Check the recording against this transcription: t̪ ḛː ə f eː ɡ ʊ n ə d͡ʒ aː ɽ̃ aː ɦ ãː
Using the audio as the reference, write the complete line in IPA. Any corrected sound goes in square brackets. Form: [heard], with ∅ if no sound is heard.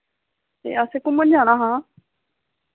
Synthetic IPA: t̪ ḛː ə [s] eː [k] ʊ [m] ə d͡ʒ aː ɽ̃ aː ɦ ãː